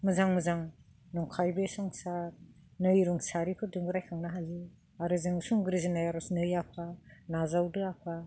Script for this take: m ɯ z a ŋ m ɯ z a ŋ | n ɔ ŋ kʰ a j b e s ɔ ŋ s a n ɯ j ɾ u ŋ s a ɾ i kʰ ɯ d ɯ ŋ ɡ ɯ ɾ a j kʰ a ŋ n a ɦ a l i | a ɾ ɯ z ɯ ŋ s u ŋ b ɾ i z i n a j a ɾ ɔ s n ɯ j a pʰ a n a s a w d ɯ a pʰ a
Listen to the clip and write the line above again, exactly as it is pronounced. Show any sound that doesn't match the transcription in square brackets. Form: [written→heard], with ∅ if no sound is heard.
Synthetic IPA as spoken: m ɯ z a ŋ m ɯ z a ŋ | n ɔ ŋ kʰ a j b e s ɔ ŋ s a n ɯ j ɾ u ŋ s a ɾ i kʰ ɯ d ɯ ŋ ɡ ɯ ɾ a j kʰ a ŋ n a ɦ a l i | a ɾ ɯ z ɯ ŋ s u ŋ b ɾ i z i n a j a ɾ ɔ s n ɯ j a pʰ a n a [s→z] a w d ɯ a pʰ a